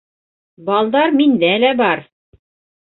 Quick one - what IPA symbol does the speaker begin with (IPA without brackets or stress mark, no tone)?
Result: b